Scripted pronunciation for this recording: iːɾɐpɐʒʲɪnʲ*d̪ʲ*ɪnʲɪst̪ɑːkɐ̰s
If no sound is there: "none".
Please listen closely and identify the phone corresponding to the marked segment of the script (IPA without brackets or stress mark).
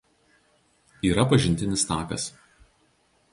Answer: t̪ʲ